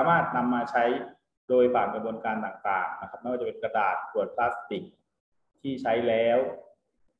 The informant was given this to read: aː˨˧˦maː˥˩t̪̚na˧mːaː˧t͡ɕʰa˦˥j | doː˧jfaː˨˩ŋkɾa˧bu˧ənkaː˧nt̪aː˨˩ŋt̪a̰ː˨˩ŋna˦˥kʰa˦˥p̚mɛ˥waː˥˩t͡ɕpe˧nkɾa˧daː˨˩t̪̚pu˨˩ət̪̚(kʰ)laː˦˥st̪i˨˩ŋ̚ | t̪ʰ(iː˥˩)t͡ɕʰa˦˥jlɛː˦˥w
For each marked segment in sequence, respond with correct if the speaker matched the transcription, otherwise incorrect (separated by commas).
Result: incorrect, correct